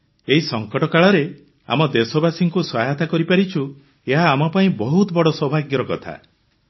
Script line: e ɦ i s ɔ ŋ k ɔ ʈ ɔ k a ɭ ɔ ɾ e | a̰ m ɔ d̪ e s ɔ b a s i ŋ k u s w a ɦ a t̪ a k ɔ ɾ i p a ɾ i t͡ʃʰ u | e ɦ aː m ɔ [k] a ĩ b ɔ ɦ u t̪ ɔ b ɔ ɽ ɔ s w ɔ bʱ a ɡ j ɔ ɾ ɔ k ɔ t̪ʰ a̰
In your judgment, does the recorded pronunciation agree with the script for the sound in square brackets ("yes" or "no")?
no